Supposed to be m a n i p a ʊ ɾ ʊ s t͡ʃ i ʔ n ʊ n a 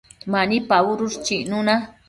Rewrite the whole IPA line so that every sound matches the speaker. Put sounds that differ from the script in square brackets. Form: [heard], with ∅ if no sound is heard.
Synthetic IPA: m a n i p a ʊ ɾ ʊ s t͡ʃ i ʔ n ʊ n a